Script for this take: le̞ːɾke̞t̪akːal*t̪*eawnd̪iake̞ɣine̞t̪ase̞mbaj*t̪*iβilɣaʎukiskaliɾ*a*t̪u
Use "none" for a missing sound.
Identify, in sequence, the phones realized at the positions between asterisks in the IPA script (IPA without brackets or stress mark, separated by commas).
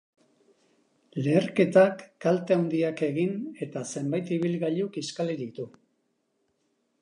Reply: t̪, t̪, i